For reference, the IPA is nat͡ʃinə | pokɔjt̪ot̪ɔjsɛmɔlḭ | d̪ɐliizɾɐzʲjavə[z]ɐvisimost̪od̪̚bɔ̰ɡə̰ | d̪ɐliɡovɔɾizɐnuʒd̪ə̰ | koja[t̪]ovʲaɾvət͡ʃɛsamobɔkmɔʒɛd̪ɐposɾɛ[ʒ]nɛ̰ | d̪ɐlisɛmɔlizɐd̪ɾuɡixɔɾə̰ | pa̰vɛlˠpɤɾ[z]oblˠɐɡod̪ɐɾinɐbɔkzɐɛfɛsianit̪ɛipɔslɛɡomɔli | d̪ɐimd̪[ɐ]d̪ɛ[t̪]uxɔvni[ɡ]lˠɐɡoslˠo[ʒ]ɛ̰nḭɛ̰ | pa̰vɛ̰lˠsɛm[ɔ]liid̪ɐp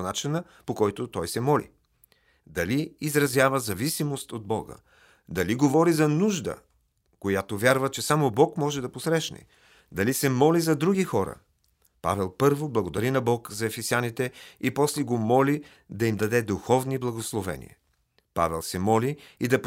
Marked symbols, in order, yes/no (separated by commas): yes, yes, no, no, yes, no, no, no, yes